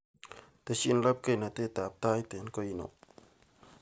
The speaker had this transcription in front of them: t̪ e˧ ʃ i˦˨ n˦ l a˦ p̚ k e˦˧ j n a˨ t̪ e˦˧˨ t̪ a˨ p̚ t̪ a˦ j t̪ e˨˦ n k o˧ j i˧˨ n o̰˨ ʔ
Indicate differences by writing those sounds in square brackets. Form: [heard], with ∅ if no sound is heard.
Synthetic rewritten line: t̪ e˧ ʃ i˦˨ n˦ l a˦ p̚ k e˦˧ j n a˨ t̪ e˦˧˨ t̪ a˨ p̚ t̪ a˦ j t̪ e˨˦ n k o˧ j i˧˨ n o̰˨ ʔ